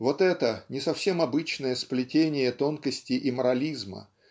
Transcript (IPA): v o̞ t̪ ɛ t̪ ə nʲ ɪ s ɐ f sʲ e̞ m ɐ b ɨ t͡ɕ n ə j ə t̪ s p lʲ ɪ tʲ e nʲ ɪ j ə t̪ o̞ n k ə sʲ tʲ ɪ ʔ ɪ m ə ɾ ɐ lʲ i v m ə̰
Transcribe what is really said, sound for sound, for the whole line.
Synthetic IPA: v o̞ t̪ ɛ t̪ ə nʲ ɪ s ɐ f sʲ e̞ m ɐ b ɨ t͡ɕ n ə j ə s p lʲ ɪ tʲ e nʲ ɪ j ə t̪ o̞ n k ə sʲ tʲ ɪ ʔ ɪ m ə ɾ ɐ lʲ i z m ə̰